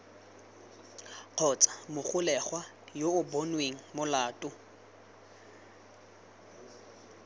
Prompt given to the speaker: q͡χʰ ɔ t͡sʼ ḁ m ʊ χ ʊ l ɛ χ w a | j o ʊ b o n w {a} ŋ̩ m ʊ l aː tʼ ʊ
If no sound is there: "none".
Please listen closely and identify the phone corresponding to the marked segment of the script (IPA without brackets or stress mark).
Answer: e